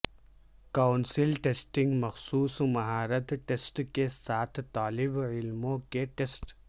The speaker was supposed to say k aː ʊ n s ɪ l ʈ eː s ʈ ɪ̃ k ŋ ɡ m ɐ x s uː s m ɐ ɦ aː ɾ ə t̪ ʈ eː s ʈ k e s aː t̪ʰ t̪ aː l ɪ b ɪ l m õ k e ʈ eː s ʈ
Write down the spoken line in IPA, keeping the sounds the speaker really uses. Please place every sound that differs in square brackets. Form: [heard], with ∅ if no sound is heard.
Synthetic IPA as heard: k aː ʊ n s ɪ l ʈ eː s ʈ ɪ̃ [∅] ŋ ɡ m ɐ x s uː s m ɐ ɦ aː ɾ ə t̪ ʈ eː s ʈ k e s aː t̪ʰ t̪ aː l ɪ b ɪ l m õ k e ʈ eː s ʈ

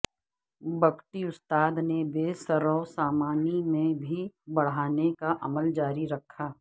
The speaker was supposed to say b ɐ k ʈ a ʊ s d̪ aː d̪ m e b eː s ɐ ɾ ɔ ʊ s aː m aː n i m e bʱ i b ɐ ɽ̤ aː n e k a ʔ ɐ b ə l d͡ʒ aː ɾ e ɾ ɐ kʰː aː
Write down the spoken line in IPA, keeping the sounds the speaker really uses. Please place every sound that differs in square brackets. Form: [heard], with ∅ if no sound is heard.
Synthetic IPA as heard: b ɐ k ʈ [i] ʊ s [t̪] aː d̪ [n] e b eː s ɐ ɾ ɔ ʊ s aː m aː n i m [ẽ] bʱ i b ɐ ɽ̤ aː n e k a ʔ ɐ [m] ə l d͡ʒ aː ɾ [i] ɾ ɐ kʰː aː

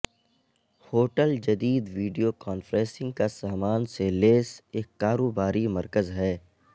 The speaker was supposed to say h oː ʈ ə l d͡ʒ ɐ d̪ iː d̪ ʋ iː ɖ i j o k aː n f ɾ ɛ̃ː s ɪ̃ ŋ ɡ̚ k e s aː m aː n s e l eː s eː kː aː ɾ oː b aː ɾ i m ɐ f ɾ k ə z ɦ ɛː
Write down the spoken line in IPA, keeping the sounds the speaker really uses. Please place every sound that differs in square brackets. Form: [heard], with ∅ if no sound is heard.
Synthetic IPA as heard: h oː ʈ ə l d͡ʒ ɐ d̪ iː d̪ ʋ iː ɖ i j o k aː n f ɾ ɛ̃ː s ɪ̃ ŋ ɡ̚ k [a] s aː m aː n s e l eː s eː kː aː ɾ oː b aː ɾ i m ɐ [∅] ɾ k ə z ɦ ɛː

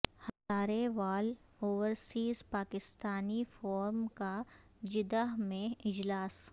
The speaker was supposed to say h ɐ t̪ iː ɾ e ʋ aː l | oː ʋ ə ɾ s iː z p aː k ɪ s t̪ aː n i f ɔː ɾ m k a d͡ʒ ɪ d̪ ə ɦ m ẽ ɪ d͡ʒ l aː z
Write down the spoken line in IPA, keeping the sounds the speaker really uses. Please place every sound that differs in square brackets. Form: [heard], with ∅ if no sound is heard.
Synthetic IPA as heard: h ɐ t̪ [aː] ɾ e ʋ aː l | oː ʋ ə ɾ s iː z p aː k ɪ s t̪ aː n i f ɔː ɾ m k a d͡ʒ ɪ d̪ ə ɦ m ẽ ɪ d͡ʒ l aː [s]

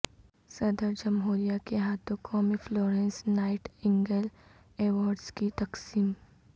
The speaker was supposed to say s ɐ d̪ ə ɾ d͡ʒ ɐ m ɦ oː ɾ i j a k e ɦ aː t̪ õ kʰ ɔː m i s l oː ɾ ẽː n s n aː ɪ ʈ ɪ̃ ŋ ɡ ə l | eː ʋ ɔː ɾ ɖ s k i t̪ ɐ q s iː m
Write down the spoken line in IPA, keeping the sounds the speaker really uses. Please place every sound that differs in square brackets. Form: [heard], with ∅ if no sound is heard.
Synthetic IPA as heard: s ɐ d̪ ə ɾ d͡ʒ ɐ m ɦ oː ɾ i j a k e ɦ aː t̪ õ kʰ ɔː m i [f] l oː ɾ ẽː n s n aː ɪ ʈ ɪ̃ ŋ ɡ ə l | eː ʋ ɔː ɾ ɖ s k i t̪ ɐ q s iː m

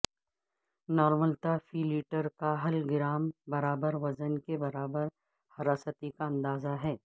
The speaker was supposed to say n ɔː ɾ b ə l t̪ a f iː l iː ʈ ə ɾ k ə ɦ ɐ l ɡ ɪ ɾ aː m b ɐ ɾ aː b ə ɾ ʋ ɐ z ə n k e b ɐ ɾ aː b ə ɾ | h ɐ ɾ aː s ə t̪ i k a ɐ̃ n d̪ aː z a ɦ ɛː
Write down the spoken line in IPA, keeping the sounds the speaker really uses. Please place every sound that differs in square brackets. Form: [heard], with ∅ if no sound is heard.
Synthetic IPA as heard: n ɔː ɾ [m] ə l t̪ a f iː l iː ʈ ə ɾ k [a] ɦ ɐ l ɡ ɪ ɾ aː m b ɐ ɾ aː b ə ɾ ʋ ɐ z ə n k e b ɐ ɾ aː b ə ɾ | h ɐ ɾ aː s ə t̪ i k a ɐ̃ n d̪ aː z a ɦ ɛː

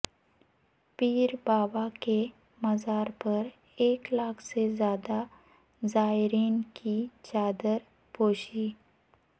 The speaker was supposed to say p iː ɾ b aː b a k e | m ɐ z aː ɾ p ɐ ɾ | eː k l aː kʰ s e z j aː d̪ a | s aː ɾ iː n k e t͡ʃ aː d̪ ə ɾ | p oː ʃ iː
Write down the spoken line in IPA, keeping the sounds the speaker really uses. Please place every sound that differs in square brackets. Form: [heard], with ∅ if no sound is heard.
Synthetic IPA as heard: p iː ɾ b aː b a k e | m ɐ z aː ɾ p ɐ ɾ | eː k l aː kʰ s e z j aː d̪ a | [z] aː ɾ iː n k [i] t͡ʃ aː d̪ ə ɾ | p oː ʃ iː

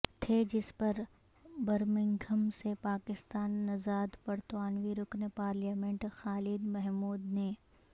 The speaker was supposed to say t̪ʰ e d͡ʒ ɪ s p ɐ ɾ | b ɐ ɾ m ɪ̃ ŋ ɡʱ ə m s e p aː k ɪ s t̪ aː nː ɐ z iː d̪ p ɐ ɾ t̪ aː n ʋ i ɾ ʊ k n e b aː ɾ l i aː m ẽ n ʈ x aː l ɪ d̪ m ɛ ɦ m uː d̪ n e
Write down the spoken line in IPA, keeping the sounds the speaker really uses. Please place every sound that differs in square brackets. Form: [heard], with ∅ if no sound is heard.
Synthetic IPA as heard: t̪ʰ e d͡ʒ ɪ s p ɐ ɾ | b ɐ ɾ m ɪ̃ ŋ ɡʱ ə m s e p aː k ɪ s t̪ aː nː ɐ z [aː] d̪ p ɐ ɾ t̪ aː n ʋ i ɾ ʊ k n e [p] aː ɾ l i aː m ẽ [ɳ] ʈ x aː l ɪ d̪ m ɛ ɦ m uː d̪ n e

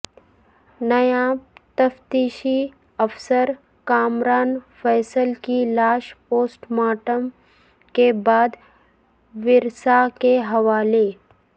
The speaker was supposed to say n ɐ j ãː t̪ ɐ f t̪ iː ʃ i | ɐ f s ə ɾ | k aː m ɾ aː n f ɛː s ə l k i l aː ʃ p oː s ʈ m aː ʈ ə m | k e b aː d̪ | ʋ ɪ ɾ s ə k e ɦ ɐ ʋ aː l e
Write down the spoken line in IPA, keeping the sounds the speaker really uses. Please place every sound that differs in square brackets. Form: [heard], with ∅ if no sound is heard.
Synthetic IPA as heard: n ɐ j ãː t̪ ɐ f t̪ iː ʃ i | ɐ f s ə ɾ | k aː m ɾ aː n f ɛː s ə l k i l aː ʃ p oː s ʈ m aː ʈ ə m | k e b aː d̪ | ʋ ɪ ɾ s [a] k e ɦ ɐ ʋ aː l e

